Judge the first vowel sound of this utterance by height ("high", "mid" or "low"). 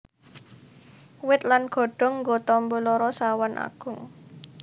high